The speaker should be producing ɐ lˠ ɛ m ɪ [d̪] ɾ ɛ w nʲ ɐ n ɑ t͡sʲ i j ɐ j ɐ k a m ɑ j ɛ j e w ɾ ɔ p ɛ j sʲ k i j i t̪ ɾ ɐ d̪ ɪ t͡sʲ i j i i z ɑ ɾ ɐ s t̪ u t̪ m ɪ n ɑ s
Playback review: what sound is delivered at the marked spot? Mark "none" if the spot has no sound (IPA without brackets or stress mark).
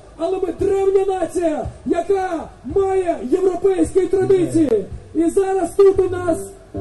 d̪